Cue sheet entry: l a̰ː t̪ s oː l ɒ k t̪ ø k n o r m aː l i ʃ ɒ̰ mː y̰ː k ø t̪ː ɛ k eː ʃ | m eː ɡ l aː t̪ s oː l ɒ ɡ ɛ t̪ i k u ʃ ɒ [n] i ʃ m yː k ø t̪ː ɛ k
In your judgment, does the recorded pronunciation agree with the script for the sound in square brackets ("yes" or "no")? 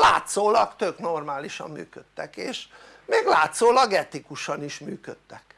yes